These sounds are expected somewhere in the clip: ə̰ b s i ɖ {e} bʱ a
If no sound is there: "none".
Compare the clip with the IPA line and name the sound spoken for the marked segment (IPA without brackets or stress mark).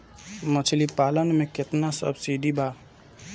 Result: i